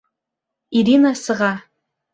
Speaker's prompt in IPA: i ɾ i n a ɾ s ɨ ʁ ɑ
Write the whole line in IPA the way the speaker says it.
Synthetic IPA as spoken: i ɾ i n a s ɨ ʁ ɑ